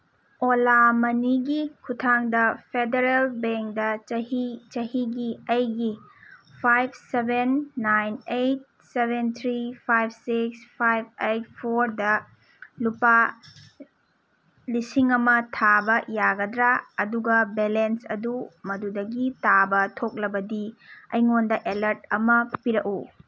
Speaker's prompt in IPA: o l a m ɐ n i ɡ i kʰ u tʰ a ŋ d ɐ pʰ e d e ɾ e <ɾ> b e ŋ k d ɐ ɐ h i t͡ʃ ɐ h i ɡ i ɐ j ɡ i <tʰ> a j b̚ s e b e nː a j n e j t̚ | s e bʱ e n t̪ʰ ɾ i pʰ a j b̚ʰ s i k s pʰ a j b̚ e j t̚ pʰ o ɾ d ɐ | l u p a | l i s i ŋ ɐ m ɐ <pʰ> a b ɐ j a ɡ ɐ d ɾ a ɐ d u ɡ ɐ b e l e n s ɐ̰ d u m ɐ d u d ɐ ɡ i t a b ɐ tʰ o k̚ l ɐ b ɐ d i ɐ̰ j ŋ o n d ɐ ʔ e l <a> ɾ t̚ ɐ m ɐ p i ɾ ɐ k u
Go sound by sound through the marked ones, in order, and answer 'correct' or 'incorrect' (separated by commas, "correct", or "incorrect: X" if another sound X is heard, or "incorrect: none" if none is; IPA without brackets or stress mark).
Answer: incorrect: l, incorrect: pʰ, incorrect: tʰ, incorrect: ɐ